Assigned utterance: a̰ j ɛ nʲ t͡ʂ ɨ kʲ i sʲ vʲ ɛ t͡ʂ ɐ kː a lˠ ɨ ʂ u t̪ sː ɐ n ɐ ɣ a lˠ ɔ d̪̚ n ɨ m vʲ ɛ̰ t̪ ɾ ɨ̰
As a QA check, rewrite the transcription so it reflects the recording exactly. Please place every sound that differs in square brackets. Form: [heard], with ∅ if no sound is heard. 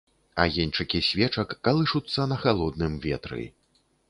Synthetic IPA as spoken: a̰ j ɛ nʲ t͡ʂ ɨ kʲ i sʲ vʲ ɛ t͡ʂ ɐ kː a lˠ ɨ ʂ u t̪ sː ɐ n ɐ [x] a lˠ ɔ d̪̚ n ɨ m vʲ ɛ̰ t̪ ɾ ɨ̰